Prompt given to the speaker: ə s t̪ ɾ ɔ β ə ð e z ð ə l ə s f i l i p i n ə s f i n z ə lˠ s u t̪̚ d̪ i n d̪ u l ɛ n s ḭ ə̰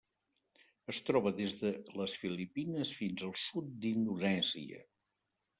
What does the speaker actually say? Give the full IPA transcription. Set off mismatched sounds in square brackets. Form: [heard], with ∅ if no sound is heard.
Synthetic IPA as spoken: ə s t̪ ɾ ɔ β ə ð e z ð ə l ə s f i l i p i n ə s f i n z ə lˠ s u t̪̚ d̪ i n d̪ u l ɛ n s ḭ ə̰